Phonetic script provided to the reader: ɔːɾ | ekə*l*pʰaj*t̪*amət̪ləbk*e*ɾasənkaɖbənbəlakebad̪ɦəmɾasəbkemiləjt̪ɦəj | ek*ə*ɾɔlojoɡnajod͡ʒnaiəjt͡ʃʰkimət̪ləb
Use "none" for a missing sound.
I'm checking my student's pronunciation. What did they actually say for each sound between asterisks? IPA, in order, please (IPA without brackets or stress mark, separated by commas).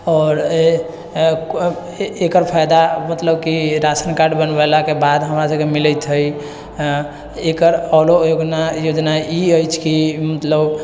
ɾ, d̪, i, ə